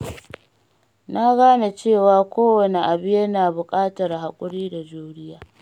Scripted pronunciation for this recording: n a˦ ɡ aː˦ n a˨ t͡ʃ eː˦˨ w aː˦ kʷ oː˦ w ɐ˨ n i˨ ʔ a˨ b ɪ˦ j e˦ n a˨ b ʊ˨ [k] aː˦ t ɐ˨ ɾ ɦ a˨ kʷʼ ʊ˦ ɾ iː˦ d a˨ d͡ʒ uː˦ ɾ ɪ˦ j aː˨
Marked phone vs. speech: incorrect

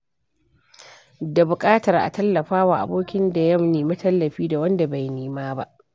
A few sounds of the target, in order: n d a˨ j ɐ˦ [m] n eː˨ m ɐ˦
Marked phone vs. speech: correct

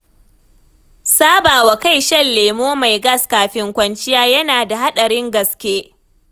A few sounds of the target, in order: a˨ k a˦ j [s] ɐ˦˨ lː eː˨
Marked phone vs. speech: incorrect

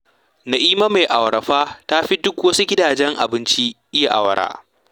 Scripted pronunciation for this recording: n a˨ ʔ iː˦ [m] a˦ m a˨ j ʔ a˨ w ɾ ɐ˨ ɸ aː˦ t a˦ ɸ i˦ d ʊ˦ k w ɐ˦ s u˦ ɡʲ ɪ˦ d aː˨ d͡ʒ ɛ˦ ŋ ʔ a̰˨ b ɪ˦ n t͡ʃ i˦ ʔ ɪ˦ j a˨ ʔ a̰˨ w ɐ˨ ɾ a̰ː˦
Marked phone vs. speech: correct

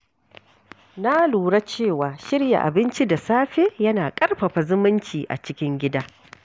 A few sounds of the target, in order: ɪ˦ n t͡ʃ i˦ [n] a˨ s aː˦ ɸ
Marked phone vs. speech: incorrect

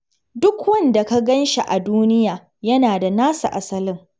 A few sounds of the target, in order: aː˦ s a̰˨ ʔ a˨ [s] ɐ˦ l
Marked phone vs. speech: correct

